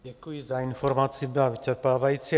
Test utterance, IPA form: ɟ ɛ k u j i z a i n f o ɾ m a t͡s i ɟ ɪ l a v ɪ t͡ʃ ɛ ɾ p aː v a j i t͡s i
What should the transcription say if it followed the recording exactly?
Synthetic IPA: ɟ ɛ k u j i z a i n f o ɾ m a t͡s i b ɪ l a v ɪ t͡ʃ ɛ ɾ p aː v a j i t͡s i